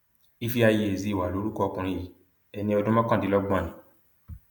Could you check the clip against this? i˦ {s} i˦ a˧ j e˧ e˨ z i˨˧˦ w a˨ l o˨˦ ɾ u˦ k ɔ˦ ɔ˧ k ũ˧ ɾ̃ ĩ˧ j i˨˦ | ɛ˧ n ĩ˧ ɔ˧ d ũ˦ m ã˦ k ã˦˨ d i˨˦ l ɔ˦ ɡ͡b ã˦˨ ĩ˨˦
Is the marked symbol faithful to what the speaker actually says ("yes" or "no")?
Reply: no